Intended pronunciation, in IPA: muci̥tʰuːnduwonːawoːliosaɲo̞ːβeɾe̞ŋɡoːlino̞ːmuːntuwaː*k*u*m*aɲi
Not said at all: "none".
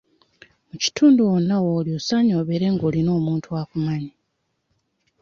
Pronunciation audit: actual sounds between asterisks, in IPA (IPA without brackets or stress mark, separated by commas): k, m